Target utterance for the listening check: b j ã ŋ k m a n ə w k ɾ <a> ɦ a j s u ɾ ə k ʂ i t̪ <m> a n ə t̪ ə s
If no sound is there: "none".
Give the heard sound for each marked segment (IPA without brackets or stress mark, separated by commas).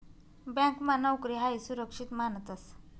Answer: i, m